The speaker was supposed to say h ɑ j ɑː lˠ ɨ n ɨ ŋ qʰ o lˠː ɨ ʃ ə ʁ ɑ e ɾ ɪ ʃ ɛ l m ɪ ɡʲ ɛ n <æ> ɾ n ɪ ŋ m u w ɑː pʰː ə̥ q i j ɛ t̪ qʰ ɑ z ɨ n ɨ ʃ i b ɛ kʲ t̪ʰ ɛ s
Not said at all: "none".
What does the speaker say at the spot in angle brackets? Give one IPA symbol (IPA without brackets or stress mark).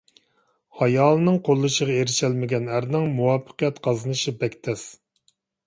æ